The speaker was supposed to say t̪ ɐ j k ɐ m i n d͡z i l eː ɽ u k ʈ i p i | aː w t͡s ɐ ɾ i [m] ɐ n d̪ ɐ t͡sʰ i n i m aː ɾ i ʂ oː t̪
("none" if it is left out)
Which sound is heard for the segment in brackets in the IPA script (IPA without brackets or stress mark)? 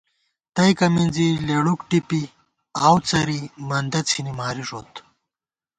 m